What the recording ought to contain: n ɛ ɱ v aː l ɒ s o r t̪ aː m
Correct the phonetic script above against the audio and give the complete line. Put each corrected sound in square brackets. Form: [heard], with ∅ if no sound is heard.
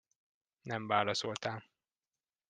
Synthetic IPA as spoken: n ɛ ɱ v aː l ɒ s o [l] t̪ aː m